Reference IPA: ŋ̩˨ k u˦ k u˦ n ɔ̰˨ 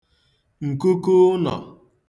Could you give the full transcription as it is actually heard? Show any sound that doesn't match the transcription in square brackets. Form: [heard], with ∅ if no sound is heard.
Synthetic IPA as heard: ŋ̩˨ k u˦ k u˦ n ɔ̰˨